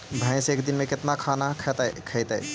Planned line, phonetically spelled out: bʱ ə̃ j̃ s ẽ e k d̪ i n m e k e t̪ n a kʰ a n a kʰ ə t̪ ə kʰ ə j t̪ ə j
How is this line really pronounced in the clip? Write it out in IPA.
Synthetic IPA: bʱ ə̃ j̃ s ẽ e k d̪ i n m e k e t̪ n a kʰ a n a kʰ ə t̪ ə kʰ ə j t̪ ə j